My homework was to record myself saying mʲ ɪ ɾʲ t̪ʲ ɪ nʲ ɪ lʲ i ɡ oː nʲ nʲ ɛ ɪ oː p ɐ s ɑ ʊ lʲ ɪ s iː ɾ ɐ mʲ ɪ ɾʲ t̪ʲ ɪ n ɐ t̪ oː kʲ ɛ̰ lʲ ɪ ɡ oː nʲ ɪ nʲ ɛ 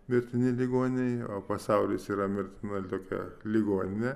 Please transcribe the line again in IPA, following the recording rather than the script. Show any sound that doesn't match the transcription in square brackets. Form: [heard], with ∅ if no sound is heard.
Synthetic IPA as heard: mʲ ɪ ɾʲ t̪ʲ ɪ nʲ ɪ lʲ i ɡ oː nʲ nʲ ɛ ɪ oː p ɐ s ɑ ʊ lʲ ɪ s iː ɾ ɐ mʲ ɪ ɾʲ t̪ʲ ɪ n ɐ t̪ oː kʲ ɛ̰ lʲ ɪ ɡ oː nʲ ɪ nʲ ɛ